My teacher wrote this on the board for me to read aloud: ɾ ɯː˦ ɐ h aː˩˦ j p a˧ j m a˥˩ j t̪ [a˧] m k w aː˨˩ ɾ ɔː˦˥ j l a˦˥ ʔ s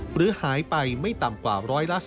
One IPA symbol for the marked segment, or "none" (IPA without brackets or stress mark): a˨˩